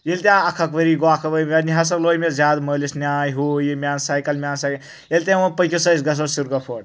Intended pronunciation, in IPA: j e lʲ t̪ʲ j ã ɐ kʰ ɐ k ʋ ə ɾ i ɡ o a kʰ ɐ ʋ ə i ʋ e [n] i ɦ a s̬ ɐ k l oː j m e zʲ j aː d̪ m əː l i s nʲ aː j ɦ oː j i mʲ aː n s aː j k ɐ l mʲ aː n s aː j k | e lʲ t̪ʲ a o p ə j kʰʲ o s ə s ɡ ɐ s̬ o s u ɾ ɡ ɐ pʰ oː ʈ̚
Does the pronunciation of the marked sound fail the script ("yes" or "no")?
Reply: no